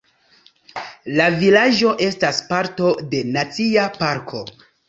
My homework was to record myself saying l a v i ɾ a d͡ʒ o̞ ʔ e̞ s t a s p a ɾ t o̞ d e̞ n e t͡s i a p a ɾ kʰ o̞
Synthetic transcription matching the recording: l a v i l a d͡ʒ o̞ ʔ e̞ s t a s p a ɾ t o̞ d e̞ n a t͡s i a p a ɾ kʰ o̞